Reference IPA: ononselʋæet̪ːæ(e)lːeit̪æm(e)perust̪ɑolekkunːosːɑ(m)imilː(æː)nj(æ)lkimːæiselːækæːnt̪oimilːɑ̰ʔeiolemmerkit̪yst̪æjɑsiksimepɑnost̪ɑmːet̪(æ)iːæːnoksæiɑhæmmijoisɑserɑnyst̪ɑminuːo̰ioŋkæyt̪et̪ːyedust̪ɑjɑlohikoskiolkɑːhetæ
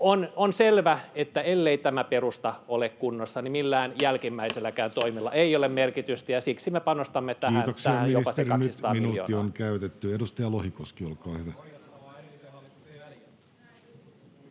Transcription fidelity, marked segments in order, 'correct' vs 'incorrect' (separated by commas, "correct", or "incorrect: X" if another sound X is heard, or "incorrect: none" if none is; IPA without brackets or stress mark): correct, incorrect: æ, incorrect: n, correct, correct, correct